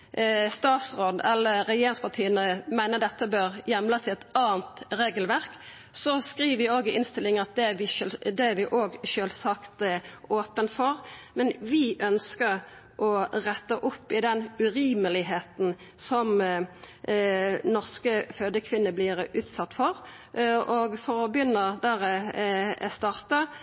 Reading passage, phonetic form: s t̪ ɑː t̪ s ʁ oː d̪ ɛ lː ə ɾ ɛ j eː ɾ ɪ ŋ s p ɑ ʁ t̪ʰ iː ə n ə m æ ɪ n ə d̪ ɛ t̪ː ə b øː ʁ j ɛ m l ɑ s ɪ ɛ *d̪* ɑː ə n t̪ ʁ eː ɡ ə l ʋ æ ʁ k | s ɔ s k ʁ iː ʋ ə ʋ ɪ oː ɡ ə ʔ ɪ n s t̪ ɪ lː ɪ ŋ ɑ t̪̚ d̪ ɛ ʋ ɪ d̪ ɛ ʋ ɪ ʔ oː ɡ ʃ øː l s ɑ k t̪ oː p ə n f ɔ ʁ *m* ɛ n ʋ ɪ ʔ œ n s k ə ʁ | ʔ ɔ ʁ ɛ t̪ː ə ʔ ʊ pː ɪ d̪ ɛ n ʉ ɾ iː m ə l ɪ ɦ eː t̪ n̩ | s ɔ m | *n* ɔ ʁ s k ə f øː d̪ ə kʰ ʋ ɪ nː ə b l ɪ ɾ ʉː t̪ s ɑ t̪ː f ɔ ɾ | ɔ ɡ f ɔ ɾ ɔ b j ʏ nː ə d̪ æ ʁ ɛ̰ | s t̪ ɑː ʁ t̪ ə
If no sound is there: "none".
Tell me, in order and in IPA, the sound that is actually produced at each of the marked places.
t̪, m, n

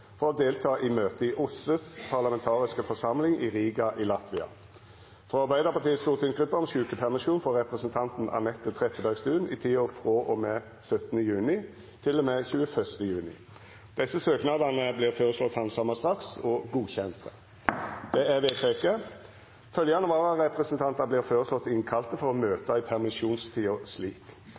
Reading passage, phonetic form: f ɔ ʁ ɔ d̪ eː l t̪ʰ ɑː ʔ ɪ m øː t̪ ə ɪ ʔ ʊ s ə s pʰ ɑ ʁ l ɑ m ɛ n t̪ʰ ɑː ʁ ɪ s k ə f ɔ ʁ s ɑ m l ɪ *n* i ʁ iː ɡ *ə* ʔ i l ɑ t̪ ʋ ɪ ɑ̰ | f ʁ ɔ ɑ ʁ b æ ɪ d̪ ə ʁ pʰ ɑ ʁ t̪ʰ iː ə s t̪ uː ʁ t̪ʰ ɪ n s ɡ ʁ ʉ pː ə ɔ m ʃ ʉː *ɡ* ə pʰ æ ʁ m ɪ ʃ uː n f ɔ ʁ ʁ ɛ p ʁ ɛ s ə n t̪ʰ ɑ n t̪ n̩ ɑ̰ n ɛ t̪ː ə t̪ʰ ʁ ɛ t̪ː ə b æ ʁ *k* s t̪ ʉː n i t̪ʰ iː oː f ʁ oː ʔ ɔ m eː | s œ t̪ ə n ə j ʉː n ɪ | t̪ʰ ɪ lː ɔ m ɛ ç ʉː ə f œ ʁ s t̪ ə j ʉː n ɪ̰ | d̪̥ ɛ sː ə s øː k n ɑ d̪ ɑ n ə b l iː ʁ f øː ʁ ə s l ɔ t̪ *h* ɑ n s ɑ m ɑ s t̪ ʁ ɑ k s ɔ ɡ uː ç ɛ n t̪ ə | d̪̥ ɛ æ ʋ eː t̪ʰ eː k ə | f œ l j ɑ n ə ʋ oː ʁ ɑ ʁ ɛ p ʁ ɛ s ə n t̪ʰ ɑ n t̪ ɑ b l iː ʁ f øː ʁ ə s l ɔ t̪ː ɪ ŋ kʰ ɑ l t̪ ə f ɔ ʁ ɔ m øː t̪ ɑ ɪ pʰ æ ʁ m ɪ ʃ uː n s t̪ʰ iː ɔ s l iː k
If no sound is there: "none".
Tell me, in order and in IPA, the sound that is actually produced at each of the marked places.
ŋ, ɑ, k, ɡ, h

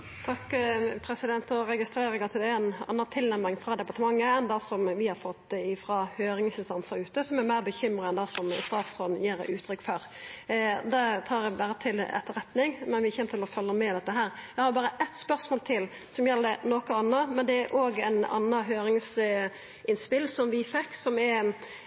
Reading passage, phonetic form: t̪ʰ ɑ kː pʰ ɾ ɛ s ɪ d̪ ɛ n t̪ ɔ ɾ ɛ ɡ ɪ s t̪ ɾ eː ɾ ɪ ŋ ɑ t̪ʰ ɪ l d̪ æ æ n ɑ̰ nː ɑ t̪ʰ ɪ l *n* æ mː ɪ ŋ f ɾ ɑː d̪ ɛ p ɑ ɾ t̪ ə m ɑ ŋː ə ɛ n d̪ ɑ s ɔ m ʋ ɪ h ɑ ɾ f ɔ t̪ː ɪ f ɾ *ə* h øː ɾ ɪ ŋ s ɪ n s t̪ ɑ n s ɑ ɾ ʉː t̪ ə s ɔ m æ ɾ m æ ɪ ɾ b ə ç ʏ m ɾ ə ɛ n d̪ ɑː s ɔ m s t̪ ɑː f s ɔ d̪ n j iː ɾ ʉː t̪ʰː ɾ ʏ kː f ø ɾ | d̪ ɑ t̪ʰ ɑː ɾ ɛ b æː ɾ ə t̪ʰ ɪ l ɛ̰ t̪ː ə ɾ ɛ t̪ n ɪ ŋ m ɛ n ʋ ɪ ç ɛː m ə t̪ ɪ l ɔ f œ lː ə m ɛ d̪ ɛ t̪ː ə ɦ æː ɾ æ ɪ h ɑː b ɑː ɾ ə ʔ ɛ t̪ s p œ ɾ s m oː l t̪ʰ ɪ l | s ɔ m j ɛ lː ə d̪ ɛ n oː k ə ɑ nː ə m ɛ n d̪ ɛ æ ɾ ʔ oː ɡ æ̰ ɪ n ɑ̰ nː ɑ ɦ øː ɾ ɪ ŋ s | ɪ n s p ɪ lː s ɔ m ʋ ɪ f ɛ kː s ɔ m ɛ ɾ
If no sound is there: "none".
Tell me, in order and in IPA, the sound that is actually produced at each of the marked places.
n, ɑ

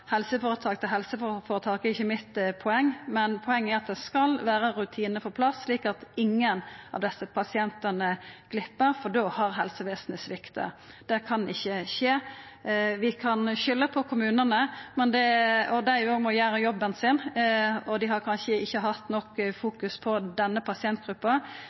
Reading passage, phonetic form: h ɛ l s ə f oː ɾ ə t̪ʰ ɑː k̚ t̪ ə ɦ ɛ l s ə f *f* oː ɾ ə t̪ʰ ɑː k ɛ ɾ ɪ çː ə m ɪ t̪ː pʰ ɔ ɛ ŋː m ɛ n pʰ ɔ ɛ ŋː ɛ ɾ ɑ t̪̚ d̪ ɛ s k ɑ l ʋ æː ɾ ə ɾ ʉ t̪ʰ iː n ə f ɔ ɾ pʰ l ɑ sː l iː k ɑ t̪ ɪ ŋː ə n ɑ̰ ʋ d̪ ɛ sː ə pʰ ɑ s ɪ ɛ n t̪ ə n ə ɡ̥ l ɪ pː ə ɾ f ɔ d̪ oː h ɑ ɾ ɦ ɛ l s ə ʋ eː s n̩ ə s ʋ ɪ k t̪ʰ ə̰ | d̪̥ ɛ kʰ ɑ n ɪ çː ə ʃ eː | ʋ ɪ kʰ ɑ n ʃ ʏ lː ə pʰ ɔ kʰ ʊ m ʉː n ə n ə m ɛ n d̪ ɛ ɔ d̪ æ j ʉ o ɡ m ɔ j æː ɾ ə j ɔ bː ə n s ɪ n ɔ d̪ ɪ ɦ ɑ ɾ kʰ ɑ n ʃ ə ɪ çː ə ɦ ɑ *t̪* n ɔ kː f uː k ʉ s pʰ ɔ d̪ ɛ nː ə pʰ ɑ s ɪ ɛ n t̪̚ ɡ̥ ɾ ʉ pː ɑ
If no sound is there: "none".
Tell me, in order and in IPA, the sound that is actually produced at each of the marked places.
f, t̪

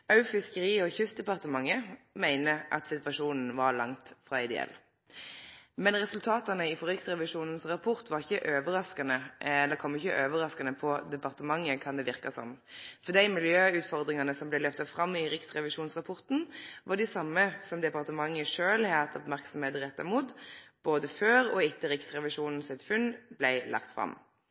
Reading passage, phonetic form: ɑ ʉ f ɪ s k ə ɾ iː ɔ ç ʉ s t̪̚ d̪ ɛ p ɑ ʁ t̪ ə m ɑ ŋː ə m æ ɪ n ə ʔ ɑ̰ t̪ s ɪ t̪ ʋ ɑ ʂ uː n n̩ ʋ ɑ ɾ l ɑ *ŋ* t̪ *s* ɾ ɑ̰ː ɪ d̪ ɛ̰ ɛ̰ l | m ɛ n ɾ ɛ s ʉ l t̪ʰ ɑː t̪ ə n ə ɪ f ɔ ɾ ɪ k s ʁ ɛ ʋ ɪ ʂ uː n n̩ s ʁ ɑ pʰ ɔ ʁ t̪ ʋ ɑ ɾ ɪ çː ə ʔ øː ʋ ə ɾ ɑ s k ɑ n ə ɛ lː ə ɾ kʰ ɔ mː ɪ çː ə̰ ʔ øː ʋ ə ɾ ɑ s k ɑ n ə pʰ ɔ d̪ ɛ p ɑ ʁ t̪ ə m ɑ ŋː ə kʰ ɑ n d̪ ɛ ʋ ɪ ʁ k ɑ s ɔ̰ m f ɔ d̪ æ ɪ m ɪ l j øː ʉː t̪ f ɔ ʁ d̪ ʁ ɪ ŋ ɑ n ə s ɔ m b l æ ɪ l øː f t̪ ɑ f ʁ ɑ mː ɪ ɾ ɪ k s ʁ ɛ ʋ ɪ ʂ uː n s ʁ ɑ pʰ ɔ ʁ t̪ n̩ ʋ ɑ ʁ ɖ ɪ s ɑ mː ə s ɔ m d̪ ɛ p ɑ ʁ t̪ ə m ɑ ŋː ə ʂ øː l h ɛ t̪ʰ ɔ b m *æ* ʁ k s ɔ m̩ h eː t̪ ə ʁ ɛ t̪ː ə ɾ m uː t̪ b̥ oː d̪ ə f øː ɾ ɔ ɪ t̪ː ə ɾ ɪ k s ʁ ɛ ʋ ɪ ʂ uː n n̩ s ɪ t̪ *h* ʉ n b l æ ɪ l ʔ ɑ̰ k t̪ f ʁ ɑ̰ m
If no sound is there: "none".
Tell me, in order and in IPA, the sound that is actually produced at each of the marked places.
ŋ, f, æ, f

